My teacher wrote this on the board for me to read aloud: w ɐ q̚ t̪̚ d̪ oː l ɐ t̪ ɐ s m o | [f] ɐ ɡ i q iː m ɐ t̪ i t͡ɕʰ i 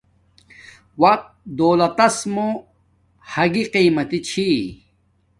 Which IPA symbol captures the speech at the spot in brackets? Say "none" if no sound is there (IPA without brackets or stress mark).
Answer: h